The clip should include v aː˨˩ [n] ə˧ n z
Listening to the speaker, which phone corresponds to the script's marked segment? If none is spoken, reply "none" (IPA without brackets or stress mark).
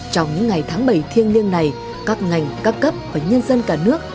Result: ɲ